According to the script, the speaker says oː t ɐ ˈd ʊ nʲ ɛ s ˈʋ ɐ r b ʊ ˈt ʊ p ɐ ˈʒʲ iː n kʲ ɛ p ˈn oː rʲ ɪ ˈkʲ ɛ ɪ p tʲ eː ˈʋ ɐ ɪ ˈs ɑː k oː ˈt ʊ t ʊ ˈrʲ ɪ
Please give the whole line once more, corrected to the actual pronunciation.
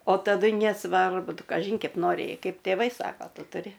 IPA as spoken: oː t ɐ ˈd ʊ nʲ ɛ s ˈʋ ɐ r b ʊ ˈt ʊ k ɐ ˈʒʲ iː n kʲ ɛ p ˈn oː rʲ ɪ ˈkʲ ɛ ɪ p tʲ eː ˈʋ ɐ ɪ ˈs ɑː k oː ˈt ʊ t ʊ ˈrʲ ɪ